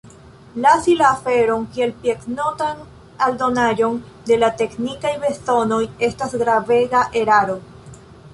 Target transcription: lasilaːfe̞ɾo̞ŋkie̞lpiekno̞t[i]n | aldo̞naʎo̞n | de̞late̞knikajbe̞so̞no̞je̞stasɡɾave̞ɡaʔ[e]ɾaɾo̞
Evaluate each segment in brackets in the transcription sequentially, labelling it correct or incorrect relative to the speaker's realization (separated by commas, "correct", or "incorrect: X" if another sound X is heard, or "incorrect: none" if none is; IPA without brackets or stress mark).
incorrect: a, correct